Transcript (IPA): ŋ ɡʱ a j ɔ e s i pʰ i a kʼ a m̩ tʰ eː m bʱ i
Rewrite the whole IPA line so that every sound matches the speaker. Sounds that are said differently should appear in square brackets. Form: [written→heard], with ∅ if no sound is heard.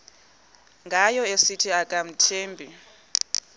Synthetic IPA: ŋ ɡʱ a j ɔ e s i [pʰ→tʰ] i a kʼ a m̩ tʰ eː m bʱ i